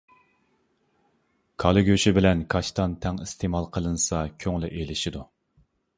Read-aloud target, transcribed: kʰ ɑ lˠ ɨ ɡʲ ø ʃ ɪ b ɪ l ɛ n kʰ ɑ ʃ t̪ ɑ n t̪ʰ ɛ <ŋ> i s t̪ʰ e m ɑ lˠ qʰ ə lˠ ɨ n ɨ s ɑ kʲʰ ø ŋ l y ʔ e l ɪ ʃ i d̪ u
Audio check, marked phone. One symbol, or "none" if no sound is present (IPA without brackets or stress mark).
ŋ